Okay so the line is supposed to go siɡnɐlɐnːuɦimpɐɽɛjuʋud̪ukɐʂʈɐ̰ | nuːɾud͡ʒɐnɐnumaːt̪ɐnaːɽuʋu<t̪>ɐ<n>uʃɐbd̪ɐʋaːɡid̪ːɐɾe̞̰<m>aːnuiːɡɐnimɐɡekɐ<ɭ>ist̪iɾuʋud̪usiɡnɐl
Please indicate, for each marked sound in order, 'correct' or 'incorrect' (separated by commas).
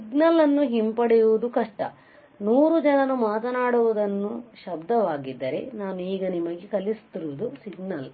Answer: incorrect, incorrect, incorrect, incorrect